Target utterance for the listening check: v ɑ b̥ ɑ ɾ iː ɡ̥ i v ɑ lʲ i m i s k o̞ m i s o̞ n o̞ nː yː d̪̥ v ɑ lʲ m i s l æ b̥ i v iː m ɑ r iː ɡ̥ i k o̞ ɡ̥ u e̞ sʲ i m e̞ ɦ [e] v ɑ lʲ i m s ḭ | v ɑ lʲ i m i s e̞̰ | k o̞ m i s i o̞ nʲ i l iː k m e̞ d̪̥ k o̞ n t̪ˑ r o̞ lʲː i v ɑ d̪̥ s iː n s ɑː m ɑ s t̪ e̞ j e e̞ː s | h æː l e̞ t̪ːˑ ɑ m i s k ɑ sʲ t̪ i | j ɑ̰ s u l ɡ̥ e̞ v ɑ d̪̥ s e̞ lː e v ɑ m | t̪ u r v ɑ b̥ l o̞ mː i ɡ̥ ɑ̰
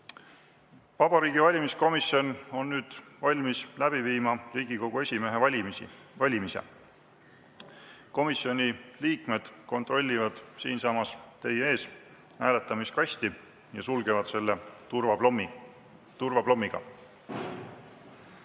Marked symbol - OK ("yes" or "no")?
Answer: yes